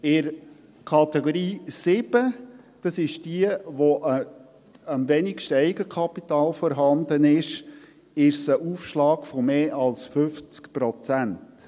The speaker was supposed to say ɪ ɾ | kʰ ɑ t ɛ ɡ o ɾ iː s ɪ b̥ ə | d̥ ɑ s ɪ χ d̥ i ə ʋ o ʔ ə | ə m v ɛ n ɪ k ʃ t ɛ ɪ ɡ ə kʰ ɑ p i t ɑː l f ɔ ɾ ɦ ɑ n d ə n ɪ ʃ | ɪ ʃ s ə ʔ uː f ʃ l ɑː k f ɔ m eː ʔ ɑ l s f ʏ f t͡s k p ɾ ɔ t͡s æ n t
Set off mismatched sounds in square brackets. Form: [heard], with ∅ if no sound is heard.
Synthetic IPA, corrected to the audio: ɪ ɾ | kʰ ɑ t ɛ ɡ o ɾ iː s ɪ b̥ ə | d̥ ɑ s ɪ [ʃ] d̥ i ə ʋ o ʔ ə | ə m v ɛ n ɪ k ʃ t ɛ ɪ ɡ ə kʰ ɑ p i t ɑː l f ɔ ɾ ɦ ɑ n d ə n ɪ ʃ | ɪ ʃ s ə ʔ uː f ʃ l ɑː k f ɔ m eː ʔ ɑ l s f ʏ f t͡s k p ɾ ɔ t͡s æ n t